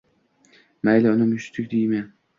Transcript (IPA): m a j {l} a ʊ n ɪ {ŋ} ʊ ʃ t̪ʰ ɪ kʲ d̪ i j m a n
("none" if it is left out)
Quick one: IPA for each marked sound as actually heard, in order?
l, m

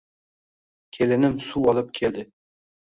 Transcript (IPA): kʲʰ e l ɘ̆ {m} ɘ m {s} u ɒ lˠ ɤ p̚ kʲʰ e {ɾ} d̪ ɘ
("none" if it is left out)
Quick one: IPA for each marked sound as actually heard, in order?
n, s, l

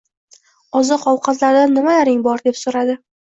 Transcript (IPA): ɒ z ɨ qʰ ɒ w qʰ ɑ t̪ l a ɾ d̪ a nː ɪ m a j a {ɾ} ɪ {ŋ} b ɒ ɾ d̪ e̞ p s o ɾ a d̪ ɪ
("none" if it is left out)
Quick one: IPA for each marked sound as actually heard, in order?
ɾ, ŋ

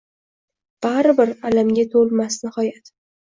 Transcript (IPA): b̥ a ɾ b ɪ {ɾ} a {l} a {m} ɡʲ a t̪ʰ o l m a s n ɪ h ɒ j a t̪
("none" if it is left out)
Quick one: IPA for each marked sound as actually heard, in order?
ɾ, l, m

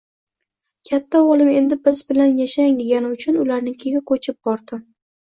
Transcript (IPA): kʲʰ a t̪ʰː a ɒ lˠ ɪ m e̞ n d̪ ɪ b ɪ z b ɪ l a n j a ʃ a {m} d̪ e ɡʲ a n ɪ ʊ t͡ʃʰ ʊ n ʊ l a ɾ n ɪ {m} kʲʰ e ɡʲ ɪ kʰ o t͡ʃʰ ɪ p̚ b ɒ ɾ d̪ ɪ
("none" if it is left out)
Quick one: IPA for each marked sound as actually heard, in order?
ŋ, ŋ

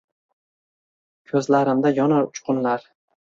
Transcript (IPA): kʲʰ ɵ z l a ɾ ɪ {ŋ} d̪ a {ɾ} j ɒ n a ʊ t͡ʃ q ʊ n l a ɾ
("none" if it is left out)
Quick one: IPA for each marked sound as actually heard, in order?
m, none

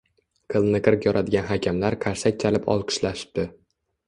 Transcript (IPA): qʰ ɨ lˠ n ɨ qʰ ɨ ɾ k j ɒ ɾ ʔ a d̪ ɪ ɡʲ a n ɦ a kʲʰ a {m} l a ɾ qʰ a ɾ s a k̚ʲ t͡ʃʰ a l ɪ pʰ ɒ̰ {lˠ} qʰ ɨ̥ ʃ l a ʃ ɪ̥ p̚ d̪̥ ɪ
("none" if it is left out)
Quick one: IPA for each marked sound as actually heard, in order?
m, lˠ

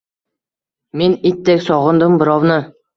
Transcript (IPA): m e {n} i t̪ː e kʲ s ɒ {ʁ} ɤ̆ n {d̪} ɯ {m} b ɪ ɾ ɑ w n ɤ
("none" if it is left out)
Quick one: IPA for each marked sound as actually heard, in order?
n, ʁ, d̪, m

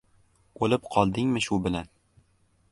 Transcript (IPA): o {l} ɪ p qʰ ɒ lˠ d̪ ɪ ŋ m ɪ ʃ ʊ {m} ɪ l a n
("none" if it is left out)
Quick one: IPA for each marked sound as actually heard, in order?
l, b

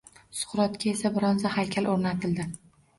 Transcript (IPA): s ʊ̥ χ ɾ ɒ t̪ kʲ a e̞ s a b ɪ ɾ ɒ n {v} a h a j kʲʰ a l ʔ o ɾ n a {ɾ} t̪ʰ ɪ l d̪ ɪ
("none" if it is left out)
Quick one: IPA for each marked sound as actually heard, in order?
z, none

